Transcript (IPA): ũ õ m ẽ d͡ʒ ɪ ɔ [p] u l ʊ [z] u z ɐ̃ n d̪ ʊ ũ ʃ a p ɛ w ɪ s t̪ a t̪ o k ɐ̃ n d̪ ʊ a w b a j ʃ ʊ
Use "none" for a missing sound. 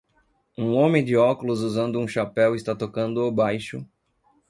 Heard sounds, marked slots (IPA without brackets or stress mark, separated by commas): k, z